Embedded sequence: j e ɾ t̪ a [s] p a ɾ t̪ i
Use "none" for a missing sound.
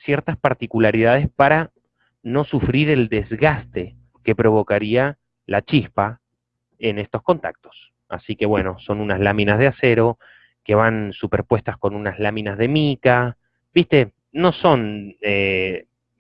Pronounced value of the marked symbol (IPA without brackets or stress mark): s